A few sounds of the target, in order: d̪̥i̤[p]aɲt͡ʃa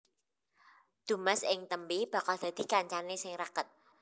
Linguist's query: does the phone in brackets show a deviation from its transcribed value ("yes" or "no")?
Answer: yes